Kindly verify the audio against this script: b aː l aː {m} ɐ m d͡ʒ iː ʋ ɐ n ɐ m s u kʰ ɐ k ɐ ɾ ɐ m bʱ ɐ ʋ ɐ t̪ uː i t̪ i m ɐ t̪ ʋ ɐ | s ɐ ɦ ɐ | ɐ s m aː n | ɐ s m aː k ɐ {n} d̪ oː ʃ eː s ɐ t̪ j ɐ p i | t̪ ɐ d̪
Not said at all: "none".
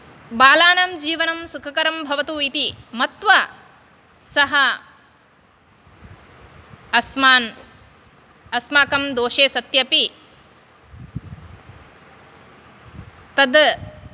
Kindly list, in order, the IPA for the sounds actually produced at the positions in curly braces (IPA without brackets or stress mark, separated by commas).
n, m